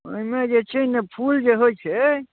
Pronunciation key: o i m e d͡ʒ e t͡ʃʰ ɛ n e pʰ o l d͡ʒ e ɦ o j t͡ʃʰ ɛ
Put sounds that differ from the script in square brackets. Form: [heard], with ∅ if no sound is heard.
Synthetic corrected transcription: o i m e d͡ʒ e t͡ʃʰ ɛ n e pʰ [u] l d͡ʒ e ɦ o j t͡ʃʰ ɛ